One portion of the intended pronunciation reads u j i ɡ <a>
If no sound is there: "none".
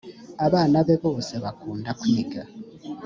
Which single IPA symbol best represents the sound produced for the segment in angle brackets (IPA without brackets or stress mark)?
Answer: a